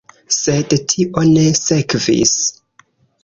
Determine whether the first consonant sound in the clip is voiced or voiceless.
voiceless